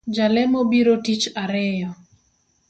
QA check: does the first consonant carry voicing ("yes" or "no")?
yes